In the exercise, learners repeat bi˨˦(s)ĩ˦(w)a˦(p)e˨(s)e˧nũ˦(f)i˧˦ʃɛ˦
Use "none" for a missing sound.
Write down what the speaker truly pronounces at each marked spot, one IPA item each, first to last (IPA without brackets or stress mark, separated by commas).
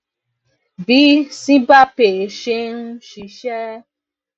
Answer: s, b, p, ʃ, ʃ